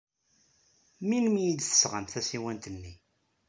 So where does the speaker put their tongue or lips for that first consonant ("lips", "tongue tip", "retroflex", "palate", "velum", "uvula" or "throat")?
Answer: lips